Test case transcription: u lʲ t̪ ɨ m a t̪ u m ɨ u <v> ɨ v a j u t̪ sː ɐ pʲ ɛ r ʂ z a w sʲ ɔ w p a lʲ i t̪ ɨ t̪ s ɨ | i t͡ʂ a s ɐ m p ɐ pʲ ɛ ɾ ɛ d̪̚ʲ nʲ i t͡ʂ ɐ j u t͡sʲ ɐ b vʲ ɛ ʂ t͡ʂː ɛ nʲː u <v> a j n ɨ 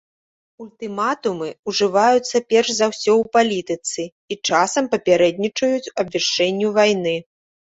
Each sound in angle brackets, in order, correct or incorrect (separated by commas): incorrect, correct